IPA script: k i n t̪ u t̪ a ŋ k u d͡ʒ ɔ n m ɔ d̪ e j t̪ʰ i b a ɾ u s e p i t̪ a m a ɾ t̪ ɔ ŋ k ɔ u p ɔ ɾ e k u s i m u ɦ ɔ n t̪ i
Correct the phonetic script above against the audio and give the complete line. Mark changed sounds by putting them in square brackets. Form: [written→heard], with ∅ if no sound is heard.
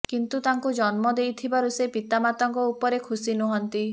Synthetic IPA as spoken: k i n t̪ u t̪ a ŋ k u d͡ʒ ɔ n m ɔ d̪ e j t̪ʰ i b a ɾ u s e p i t̪ a m a [ɾ→∅] t̪ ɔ ŋ k ɔ u p ɔ ɾ e [k→kʰ] u s i [m→n] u ɦ ɔ n t̪ i